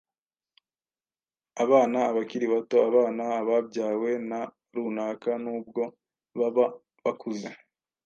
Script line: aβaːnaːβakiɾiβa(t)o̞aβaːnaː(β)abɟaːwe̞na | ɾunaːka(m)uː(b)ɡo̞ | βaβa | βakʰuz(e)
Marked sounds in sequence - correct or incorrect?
correct, correct, incorrect: n, correct, correct

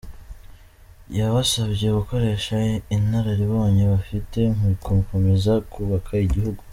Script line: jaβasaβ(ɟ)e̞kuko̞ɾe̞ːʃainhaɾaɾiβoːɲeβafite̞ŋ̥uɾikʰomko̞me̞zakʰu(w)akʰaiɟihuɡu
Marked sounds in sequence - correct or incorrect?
correct, incorrect: β

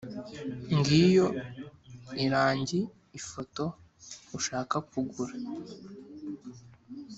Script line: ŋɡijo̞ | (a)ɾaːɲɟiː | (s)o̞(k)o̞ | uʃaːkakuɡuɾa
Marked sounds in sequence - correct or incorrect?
incorrect: i, incorrect: f, incorrect: t

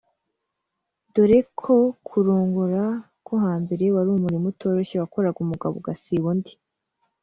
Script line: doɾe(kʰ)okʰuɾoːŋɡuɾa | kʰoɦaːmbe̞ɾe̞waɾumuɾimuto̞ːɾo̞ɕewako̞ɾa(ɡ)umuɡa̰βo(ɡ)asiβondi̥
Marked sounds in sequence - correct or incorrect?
correct, correct, correct

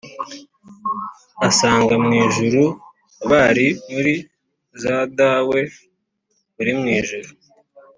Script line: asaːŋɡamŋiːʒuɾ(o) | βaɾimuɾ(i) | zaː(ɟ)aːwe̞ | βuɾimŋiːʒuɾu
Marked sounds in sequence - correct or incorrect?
incorrect: u, correct, incorrect: d

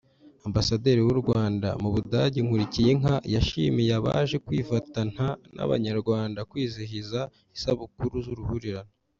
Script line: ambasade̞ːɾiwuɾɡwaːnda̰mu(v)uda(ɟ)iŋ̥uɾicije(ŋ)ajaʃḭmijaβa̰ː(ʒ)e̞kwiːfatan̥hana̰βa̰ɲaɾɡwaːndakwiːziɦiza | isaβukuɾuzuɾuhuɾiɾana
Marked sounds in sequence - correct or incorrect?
incorrect: β, correct, correct, correct

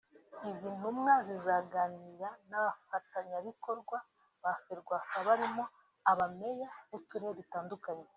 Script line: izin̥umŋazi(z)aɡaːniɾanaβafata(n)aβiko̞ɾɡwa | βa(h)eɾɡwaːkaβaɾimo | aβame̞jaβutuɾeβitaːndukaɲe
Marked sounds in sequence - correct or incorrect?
correct, incorrect: ɲ, incorrect: f

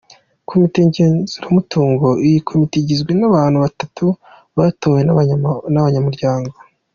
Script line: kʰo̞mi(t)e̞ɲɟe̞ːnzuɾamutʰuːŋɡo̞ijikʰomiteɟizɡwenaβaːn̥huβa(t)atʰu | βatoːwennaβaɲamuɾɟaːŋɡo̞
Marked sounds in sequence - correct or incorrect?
correct, correct

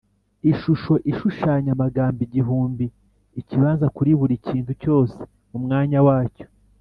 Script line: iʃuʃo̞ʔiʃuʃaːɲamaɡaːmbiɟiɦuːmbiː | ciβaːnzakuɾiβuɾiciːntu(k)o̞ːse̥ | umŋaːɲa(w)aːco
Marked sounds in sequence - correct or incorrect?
incorrect: c, correct

